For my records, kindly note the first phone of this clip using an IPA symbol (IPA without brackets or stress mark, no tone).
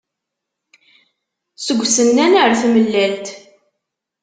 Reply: s